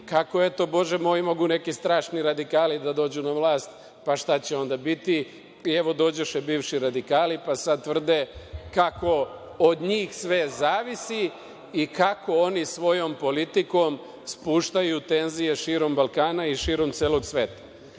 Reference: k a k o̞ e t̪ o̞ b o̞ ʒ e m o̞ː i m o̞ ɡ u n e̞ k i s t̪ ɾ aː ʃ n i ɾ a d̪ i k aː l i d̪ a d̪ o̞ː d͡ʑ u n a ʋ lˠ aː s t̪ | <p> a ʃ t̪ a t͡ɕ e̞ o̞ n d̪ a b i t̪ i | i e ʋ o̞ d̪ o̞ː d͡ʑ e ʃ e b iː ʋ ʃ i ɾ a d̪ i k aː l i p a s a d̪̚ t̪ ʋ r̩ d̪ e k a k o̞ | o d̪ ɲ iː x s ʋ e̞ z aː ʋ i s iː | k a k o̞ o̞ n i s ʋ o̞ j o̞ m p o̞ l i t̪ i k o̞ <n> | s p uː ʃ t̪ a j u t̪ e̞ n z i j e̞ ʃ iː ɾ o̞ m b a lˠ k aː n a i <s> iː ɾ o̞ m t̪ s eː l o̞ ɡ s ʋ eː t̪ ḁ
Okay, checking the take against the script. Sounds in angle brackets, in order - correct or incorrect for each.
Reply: correct, incorrect, incorrect

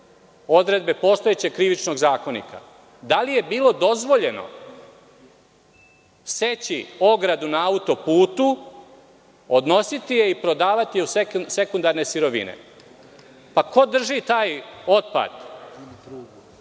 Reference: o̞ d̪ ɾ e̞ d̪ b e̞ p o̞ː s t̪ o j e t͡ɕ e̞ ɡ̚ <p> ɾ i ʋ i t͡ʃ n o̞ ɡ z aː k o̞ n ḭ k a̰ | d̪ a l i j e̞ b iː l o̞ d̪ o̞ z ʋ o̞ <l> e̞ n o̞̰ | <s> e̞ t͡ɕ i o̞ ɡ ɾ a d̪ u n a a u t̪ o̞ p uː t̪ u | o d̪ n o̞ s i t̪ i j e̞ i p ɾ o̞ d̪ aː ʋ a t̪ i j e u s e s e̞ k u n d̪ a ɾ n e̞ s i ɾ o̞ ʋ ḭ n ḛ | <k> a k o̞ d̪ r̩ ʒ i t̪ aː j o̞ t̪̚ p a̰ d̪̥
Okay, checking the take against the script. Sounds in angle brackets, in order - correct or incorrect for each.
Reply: incorrect, incorrect, correct, incorrect

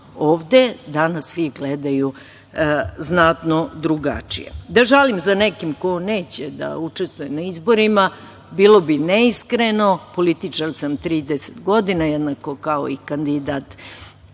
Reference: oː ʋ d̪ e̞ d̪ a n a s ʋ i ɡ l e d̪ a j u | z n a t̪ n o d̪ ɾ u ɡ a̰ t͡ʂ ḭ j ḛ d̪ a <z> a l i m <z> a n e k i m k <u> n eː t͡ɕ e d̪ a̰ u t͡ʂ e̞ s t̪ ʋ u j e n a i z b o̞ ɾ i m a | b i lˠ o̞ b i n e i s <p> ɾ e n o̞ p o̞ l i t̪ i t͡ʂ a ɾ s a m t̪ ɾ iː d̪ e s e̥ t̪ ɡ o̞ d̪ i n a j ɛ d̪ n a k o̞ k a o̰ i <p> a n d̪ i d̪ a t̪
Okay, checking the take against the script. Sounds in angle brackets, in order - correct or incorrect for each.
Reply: incorrect, correct, incorrect, incorrect, incorrect

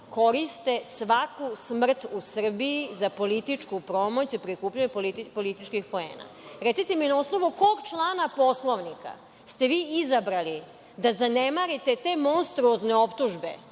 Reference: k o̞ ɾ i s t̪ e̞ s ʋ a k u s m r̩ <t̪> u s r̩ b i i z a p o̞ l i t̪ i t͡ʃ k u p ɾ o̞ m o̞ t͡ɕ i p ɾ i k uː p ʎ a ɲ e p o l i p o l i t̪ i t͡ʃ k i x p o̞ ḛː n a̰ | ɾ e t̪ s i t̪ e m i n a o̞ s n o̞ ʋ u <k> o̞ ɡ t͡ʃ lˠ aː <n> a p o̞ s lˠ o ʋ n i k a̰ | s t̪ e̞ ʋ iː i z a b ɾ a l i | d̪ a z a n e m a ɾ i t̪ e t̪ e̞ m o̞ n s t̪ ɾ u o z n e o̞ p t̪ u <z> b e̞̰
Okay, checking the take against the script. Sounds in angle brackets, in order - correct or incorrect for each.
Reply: correct, correct, correct, incorrect

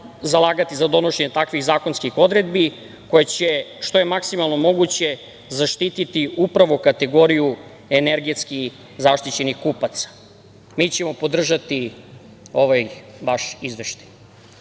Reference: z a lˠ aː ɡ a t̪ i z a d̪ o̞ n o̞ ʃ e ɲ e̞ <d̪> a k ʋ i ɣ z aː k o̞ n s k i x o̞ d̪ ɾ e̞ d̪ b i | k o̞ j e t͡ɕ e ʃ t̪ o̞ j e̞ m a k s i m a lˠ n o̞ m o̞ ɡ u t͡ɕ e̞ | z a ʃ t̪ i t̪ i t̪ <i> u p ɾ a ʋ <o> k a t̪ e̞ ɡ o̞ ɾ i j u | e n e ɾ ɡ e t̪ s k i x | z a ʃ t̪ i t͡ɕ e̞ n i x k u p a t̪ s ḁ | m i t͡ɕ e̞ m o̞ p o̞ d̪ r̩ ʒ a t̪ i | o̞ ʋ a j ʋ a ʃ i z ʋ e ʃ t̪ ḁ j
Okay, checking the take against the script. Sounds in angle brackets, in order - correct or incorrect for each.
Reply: incorrect, correct, correct

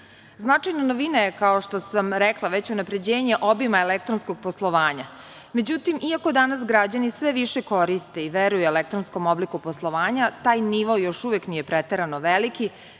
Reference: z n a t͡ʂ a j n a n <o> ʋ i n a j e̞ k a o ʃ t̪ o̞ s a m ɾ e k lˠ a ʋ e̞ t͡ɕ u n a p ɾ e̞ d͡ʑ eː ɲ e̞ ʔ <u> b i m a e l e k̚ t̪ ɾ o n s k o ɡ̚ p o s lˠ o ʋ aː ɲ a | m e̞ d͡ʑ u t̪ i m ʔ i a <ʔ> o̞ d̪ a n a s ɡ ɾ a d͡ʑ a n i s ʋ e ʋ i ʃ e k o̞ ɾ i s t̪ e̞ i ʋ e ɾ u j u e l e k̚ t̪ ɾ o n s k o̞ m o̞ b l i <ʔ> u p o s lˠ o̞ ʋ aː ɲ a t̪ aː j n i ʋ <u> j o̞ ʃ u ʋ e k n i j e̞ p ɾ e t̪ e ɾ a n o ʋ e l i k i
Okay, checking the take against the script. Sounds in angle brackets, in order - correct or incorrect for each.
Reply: correct, incorrect, incorrect, incorrect, incorrect

